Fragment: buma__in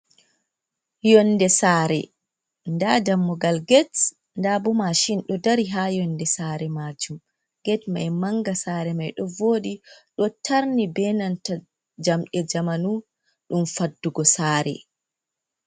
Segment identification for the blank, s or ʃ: ʃ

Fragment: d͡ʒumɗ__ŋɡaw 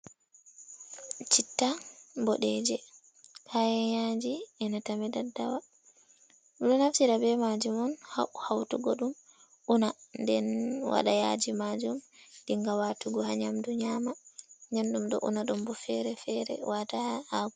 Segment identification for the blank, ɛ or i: i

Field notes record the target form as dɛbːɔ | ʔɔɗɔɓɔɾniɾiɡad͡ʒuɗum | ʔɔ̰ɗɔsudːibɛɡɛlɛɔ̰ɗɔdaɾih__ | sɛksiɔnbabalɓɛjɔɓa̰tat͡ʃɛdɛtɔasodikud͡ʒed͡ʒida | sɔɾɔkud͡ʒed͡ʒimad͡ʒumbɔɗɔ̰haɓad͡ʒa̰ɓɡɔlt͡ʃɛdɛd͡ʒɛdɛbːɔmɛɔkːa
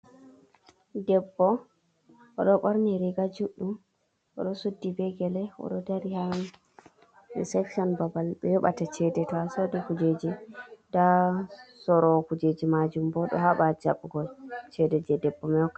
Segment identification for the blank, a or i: a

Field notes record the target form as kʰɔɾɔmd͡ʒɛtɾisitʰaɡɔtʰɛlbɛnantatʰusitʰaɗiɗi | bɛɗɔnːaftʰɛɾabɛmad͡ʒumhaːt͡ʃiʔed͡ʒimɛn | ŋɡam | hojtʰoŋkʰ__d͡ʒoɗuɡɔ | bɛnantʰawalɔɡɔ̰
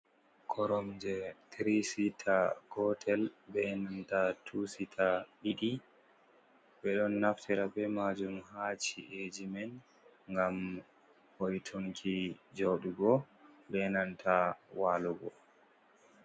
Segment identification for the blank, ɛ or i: i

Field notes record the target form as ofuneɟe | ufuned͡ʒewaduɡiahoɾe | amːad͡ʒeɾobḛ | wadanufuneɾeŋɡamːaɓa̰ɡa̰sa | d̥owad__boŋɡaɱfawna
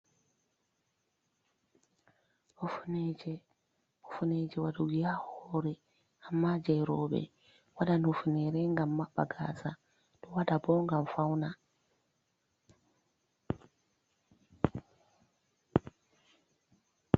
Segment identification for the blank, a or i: a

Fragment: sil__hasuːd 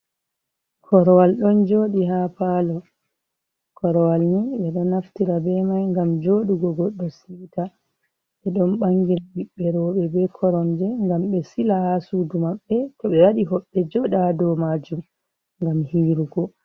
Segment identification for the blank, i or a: a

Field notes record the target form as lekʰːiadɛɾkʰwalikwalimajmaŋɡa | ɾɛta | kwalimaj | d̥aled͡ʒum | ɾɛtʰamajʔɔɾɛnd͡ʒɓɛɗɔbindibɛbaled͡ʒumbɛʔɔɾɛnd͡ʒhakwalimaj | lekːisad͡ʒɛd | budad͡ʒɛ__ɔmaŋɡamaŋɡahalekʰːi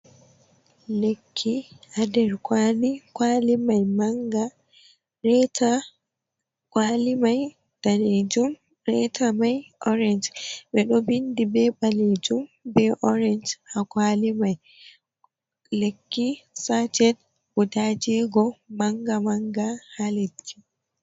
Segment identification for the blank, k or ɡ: ɡ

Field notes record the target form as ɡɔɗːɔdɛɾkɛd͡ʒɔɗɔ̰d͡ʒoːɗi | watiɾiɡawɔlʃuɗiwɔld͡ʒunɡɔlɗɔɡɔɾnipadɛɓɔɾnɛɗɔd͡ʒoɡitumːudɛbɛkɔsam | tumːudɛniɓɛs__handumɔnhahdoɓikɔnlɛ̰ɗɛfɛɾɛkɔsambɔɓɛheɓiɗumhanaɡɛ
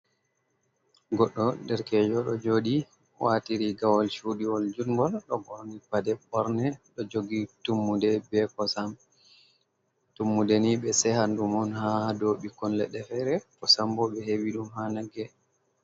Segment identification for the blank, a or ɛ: ɛ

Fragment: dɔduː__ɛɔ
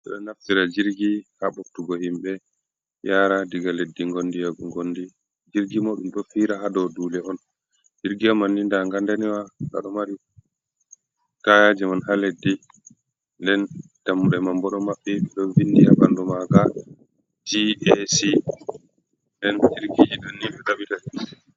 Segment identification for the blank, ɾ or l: l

